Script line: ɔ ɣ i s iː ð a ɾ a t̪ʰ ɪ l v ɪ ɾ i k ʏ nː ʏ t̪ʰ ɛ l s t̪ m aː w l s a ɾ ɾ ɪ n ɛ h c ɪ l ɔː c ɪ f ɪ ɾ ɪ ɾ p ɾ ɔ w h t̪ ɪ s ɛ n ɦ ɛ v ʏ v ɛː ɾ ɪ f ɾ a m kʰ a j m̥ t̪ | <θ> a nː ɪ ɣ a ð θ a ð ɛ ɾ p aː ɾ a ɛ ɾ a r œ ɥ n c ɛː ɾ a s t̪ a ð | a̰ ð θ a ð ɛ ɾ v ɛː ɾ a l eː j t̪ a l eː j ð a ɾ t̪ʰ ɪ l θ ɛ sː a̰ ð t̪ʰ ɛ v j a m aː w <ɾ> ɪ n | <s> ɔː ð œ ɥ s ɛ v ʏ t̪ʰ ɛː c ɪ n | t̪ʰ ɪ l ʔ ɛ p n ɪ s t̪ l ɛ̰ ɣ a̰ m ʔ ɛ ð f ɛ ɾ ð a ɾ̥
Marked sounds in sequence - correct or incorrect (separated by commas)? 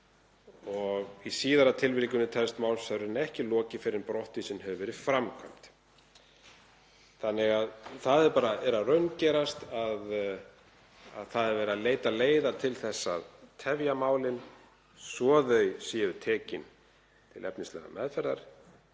correct, incorrect, correct